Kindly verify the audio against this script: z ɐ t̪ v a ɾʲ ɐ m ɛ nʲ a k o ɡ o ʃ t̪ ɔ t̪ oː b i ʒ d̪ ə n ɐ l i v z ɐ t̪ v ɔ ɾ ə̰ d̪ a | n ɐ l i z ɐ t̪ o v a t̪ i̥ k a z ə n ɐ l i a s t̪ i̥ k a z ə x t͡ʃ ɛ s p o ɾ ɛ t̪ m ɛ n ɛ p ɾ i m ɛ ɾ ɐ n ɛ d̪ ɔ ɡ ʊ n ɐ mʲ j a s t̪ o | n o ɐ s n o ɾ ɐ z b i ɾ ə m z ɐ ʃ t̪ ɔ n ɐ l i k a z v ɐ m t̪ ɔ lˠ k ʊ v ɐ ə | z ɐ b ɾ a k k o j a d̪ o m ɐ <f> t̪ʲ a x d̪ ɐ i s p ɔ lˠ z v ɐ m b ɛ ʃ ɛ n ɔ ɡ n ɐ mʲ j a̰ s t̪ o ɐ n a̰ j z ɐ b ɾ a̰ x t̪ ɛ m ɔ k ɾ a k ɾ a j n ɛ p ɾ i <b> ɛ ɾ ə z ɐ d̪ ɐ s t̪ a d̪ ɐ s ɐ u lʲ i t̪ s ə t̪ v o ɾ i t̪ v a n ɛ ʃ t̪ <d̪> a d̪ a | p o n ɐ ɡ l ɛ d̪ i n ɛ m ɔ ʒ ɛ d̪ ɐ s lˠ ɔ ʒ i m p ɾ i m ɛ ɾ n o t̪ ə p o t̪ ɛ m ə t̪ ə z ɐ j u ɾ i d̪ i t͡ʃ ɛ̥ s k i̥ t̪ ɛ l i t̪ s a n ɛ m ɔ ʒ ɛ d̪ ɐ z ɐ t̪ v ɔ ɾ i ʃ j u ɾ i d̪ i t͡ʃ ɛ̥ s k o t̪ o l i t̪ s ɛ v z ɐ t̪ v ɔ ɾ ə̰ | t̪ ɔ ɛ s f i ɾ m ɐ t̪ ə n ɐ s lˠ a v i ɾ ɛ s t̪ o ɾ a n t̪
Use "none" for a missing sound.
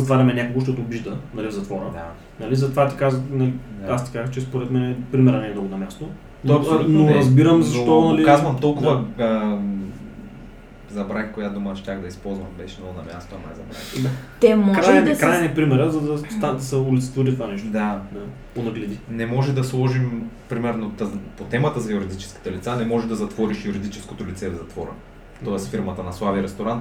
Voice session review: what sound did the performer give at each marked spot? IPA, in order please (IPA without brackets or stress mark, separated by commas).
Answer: ʃ, m, d̪